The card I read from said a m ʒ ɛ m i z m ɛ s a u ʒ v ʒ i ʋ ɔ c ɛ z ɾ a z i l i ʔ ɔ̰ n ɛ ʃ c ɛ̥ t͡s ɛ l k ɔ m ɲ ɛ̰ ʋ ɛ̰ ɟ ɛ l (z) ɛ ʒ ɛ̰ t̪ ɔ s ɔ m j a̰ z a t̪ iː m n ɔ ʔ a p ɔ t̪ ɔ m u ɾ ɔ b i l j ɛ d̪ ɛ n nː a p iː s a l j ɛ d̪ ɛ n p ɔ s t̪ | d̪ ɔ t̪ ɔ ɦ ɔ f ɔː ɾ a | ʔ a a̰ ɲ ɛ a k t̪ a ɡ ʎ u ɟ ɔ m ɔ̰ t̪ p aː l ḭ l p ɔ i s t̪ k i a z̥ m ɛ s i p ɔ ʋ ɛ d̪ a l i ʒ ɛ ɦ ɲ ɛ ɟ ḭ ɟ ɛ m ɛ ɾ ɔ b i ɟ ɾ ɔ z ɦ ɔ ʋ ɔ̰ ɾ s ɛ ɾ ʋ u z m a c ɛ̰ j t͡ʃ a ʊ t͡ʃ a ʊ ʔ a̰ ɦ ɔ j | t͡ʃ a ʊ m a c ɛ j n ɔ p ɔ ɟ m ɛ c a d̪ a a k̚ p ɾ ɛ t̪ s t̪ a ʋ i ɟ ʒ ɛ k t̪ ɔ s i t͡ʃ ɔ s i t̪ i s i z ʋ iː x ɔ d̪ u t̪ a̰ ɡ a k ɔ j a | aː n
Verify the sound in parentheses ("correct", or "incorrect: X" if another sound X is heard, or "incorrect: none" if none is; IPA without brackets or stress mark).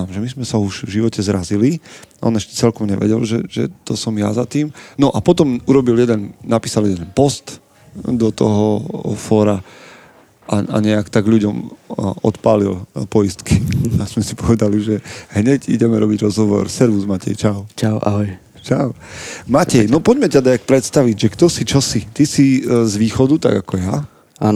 incorrect: ʒ